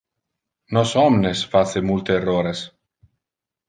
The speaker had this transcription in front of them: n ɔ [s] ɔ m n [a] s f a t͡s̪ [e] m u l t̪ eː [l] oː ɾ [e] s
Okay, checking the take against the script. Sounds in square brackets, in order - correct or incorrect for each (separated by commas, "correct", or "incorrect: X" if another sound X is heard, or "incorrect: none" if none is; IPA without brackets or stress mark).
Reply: correct, incorrect: e, correct, incorrect: r, correct